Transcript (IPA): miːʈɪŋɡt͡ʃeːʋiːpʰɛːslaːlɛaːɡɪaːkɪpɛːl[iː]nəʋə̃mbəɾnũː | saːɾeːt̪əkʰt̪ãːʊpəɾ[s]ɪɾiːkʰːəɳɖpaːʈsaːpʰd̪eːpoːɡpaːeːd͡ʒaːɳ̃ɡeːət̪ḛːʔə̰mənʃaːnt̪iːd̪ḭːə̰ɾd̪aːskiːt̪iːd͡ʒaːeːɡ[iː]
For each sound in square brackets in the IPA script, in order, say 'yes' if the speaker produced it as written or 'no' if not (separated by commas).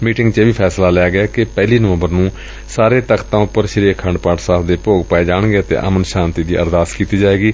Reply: yes, no, yes